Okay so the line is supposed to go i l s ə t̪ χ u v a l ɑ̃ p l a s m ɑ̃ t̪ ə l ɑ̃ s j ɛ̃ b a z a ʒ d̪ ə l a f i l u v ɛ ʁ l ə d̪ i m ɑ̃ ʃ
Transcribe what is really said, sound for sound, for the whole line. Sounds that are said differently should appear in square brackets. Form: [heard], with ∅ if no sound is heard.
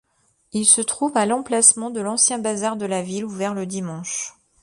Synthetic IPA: i l s ə t̪ χ u v a l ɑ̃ p l a s m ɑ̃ [d̪] ə l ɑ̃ s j ɛ̃ b a z a [ʁ] d̪ ə l a [v] i l u v ɛ ʁ l ə d̪ i m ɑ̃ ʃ